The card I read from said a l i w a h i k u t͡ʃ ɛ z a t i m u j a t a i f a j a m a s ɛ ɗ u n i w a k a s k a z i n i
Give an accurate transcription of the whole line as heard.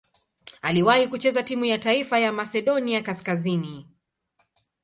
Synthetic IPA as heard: a l i w a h i k u t͡ʃ ɛ z a t i m u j a t a i f a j a m a s ɛ ɗ ɔ n i a k a s k a z i n i